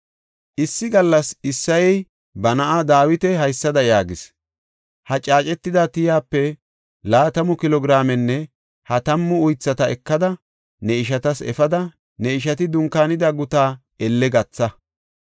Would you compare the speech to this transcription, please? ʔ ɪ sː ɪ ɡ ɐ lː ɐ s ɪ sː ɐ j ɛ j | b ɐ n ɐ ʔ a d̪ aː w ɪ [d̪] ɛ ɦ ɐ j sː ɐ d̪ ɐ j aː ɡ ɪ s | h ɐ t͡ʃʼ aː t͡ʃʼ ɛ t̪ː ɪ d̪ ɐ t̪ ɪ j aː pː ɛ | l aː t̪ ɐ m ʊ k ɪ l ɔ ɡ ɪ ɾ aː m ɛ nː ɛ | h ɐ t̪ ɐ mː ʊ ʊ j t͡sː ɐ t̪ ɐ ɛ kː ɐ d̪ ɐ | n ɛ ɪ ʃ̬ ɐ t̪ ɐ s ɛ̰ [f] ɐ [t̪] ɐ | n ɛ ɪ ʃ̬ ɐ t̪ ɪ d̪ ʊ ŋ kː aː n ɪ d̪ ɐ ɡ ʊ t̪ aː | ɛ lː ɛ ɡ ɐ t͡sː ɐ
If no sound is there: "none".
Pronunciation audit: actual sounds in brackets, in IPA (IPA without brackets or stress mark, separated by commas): t̪, f, d̪